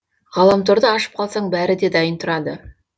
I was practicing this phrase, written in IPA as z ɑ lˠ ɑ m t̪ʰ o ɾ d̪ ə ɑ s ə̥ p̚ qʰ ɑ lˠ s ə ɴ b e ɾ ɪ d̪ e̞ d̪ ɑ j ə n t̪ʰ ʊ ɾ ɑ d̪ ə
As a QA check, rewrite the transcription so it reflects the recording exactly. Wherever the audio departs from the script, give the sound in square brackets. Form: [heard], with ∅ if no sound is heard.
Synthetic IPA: [ʁ] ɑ lˠ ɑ m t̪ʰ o ɾ d̪ ə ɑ [ʃ] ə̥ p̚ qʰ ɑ lˠ s [ɑ] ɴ b [æ] ɾ ɪ d̪ e̞ d̪ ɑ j ə n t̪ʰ ʊ ɾ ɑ d̪ ə